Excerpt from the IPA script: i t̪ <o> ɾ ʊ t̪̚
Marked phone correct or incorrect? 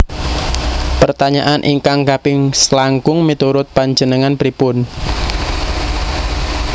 incorrect